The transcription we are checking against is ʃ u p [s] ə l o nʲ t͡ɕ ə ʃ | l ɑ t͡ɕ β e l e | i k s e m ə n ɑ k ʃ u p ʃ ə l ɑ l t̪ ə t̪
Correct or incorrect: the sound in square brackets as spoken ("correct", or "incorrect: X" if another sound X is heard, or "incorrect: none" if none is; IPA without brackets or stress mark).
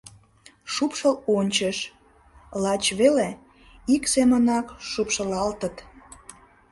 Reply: incorrect: ʃ